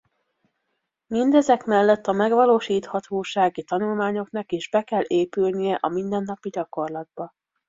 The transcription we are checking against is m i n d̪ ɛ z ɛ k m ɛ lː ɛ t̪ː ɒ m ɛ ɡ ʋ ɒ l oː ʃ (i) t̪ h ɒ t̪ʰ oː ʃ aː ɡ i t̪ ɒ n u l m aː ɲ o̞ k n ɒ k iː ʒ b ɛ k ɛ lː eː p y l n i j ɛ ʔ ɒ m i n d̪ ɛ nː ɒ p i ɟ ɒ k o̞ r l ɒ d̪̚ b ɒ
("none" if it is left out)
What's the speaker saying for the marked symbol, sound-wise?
iː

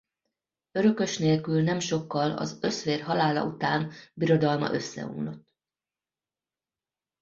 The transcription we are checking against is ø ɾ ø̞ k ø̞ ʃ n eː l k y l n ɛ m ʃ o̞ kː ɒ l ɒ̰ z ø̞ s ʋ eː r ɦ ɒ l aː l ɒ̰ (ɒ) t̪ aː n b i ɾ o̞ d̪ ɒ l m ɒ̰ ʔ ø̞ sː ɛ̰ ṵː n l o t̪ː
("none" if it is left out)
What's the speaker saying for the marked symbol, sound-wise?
u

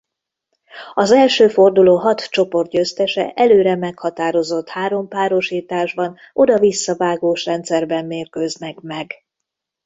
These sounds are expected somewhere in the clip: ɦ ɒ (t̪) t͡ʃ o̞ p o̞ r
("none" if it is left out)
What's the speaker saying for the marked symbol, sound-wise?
t̪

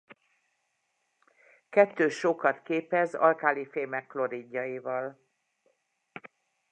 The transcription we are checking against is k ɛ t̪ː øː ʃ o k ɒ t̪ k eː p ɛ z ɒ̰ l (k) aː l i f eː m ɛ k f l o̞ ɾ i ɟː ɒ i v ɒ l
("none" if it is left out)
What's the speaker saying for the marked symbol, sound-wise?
k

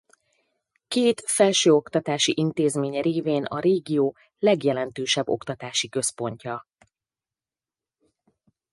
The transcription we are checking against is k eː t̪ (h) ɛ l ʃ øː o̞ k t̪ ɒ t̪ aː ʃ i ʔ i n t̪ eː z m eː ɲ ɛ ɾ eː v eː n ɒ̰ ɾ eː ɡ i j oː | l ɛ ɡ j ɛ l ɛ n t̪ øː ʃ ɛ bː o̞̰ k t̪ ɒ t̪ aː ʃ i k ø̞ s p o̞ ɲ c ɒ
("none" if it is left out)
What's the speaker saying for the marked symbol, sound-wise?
f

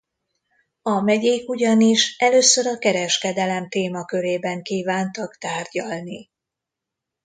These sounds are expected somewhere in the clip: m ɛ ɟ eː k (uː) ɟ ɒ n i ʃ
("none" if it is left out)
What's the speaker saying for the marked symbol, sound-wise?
u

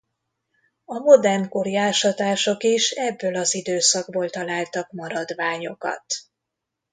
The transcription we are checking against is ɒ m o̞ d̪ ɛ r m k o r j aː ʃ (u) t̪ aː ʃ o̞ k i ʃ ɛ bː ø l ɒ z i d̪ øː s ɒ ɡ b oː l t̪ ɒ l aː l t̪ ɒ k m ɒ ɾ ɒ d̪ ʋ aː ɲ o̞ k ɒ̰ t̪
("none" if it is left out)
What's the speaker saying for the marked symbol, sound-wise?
ɒ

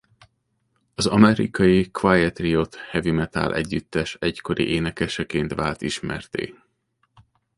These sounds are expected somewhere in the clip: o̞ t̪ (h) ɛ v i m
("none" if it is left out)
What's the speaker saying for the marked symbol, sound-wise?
h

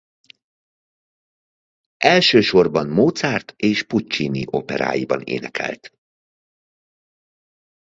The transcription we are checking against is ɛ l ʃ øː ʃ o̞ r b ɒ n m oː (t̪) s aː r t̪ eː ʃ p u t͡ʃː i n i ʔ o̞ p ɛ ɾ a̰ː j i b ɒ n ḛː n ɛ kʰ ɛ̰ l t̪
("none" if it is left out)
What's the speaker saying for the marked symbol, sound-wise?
t̪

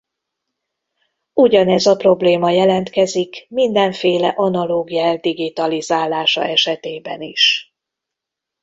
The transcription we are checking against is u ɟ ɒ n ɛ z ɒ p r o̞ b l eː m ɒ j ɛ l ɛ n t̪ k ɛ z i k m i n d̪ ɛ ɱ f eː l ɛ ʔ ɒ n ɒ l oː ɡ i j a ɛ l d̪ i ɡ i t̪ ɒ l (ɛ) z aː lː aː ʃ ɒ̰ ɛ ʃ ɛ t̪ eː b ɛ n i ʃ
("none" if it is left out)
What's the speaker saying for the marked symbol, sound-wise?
i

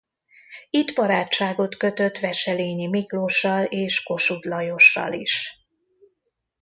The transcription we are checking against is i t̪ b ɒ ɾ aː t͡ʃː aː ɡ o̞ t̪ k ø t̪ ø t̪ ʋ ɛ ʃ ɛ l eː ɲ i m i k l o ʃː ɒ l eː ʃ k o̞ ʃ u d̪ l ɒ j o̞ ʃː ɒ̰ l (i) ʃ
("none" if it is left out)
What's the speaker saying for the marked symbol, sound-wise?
i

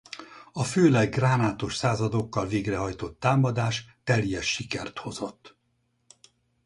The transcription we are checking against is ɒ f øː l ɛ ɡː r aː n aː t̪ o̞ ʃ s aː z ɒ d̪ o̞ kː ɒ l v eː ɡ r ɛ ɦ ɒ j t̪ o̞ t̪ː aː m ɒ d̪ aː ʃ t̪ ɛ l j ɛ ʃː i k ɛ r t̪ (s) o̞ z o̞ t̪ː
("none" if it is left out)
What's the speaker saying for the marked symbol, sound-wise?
h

